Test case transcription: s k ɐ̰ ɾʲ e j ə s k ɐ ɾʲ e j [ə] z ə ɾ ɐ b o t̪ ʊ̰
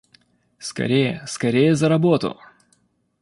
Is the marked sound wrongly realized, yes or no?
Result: no